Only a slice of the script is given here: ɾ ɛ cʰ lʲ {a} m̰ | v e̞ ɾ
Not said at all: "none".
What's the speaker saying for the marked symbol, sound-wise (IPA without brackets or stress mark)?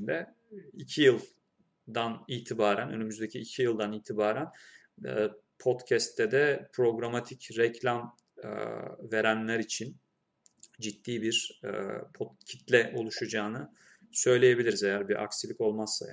a